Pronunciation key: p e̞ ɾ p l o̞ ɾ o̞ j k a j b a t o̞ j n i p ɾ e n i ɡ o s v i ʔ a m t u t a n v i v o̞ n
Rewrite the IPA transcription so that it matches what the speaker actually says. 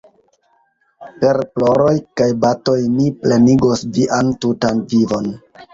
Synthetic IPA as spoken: p e̞ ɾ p l o̞ ɾ o̞ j k a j b a t o̞ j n i p l e n i ɡ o s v i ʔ a n t u t a n v i v o̞ n